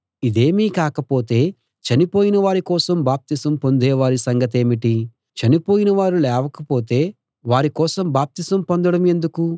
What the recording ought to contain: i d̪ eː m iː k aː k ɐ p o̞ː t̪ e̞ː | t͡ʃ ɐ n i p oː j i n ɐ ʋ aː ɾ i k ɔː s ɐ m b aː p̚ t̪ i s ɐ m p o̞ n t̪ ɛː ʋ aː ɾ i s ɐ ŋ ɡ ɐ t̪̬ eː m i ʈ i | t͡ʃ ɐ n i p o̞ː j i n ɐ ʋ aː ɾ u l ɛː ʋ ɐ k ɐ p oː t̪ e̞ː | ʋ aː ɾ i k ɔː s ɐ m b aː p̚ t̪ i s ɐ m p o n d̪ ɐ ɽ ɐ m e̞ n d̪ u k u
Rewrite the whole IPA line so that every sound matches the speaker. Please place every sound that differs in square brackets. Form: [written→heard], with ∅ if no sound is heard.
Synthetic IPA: i d̪ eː m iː k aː k ɐ p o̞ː t̪ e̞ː | t͡ʃ ɐ n i p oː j i n ɐ ʋ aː ɾ i k ɔː s ɐ m b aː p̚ t̪ i s ɐ m p o̞ n [t̪→d̪] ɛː ʋ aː ɾ i s ɐ ŋ ɡ ɐ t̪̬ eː m i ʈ i | t͡ʃ ɐ n i p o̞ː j i n ɐ ʋ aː ɾ u l ɛː ʋ ɐ k ɐ p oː t̪ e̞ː | ʋ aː ɾ i k ɔː s ɐ m b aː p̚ t̪ i s ɐ m p o n d̪ ɐ ɽ ɐ m e̞ n d̪ u k u